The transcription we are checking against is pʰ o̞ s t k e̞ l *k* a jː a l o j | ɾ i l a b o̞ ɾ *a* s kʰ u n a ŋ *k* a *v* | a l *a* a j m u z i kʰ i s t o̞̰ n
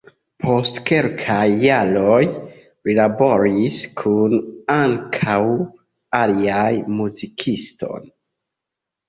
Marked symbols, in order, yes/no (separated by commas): no, no, no, no, no